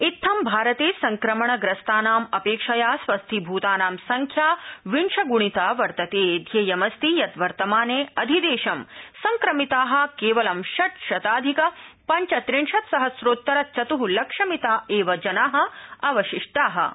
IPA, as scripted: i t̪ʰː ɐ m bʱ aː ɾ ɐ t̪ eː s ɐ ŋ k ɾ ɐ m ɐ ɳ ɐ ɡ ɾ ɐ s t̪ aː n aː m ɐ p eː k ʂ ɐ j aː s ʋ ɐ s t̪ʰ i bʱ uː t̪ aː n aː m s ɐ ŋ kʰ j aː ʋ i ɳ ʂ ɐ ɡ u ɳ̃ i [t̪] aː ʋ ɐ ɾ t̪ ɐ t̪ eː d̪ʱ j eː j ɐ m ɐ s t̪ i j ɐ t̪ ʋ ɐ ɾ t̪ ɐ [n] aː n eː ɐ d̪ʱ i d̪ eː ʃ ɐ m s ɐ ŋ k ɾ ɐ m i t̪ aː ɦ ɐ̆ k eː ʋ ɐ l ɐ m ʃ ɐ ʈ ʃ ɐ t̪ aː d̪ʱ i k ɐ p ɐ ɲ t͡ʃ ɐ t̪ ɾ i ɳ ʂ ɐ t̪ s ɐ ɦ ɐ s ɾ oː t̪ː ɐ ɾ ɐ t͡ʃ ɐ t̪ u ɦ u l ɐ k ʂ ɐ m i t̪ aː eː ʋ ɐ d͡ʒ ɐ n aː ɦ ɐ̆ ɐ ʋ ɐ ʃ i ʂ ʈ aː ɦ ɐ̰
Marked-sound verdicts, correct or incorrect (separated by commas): correct, incorrect